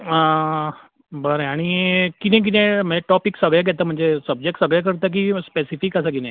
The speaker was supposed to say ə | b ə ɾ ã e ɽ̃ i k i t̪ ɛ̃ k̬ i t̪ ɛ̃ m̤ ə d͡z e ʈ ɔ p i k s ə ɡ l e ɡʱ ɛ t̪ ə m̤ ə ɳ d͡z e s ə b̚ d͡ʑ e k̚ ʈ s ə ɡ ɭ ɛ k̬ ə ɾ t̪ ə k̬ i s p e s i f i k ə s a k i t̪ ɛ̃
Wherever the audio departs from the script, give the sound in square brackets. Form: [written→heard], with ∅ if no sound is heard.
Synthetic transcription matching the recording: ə | b ə ɾ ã [e→a] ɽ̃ i k i t̪ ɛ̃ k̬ i t̪ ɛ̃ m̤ ə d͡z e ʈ ɔ p i k s ə ɡ [l→ɭ] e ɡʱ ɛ t̪ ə m̤ ə ɳ d͡z e s ə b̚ d͡ʑ e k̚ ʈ s ə ɡ ɭ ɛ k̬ ə ɾ t̪ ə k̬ i s p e s i f i k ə s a k i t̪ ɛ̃